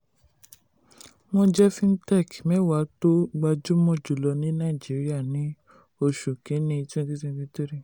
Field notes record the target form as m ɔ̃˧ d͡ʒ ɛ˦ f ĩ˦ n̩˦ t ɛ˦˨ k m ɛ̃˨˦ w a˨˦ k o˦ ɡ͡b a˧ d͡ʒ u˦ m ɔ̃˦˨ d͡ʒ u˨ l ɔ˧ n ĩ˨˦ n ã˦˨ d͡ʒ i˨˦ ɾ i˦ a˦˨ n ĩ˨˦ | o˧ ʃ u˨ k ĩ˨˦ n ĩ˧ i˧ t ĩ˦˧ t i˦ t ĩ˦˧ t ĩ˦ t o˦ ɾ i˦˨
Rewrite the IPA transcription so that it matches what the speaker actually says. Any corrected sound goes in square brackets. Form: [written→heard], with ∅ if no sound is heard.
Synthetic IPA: m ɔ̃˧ d͡ʒ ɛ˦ f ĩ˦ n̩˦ t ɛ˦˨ k m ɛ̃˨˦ w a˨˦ [k→t] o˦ ɡ͡b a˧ d͡ʒ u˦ m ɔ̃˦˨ d͡ʒ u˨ l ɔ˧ n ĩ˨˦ n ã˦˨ d͡ʒ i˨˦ ɾ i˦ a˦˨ n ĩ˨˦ | o˧ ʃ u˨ k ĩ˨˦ n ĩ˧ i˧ t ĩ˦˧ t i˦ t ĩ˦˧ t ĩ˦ t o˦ ɾ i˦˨